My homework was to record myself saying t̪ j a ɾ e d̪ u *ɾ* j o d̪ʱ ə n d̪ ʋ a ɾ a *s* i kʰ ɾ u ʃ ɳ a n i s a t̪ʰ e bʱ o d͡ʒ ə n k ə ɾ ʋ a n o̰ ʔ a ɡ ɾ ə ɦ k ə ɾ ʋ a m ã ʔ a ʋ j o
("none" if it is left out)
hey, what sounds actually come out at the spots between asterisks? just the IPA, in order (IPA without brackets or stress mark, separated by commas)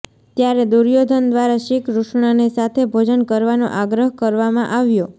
ɾ, ʃ